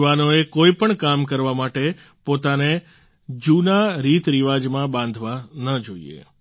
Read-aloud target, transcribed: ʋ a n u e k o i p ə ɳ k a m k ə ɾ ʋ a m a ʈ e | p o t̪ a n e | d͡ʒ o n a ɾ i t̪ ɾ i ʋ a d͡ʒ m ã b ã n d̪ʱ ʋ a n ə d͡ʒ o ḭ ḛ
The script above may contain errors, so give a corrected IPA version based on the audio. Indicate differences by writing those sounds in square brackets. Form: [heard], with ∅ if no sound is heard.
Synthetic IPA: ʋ a n [o] e k o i p ə ɳ k a m k ə ɾ ʋ a m a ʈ e | p o t̪ a n e | d͡ʒ [u] n a ɾ i t̪ ɾ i ʋ a d͡ʒ m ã b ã n d̪ʱ ʋ a n ə d͡ʒ o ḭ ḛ